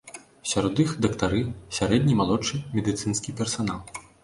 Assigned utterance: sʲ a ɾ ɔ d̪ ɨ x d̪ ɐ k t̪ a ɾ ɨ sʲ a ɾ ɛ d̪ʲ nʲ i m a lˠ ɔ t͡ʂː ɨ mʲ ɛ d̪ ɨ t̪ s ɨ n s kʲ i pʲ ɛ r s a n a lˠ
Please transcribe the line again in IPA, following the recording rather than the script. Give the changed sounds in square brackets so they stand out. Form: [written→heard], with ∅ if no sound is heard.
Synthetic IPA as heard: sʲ a ɾ ɔ d̪ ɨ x d̪ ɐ k t̪ a ɾ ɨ sʲ a ɾ ɛ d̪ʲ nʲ i m a lˠ ɔ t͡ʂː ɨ mʲ ɛ d̪ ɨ t̪ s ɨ n s kʲ i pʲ ɛ r s a n a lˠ